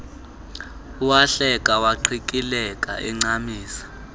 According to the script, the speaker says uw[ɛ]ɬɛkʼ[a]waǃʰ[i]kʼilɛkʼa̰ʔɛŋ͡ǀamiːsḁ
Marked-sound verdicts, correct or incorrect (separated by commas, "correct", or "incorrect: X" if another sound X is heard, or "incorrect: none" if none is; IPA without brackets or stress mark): incorrect: a, correct, correct